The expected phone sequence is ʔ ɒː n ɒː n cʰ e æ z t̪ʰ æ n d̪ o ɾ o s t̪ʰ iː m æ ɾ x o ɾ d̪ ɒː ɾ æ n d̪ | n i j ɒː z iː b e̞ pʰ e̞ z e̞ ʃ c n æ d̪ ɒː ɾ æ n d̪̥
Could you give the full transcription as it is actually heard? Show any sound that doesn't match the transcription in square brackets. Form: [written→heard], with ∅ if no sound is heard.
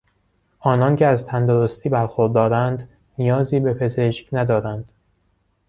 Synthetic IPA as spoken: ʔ ɒː n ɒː n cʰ e æ z t̪ʰ æ n d̪ o ɾ o s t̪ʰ iː [m→b] æ ɾ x o ɾ d̪ ɒː ɾ æ n d̪ | n i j ɒː z iː b e̞ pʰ e̞ z e̞ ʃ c n æ d̪ ɒː ɾ æ n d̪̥